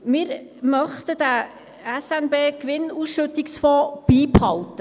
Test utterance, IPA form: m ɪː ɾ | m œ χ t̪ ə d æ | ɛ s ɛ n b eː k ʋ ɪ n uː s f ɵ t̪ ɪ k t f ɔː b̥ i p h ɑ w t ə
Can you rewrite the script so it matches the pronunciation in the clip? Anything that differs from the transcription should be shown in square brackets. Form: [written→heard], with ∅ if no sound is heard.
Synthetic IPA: m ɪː ɾ | m œ χ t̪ ə d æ | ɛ s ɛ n b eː k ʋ ɪ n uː s [f→ʃ] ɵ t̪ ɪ k [t→s] f ɔː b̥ [i→iː] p h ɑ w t ə